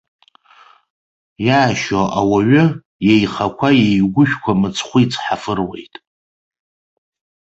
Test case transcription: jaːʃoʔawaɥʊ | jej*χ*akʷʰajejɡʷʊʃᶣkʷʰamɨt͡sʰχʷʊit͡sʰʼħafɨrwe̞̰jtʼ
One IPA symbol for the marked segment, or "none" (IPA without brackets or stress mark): χ